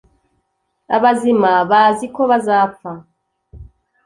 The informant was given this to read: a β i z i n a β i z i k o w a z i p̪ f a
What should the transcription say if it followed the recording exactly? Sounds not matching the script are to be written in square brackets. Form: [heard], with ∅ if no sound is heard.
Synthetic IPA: a β [a] z i [m] a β [a] z i k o [β] a z [a] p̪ f a